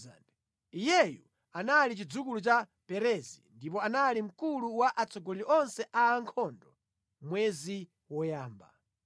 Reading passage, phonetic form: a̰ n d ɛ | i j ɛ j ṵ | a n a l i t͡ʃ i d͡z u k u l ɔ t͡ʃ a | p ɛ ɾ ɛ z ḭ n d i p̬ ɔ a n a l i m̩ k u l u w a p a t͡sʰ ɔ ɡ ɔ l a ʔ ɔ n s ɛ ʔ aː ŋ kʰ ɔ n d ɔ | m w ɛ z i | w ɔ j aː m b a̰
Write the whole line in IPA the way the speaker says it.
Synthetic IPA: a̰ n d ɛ | i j ɛ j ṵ | a n a l i t͡ʃ i d͡z u k u l u t͡ʃ a | p ɛ ɾ ɛ z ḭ n d i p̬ ɔ a n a l i m̩ k u l u w a ʔ a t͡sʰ ɔ ɡ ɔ l i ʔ ɔ n s ɛ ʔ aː ŋ kʰ ɔ n d ɔ | m w ɛ z i | w ɔ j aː m b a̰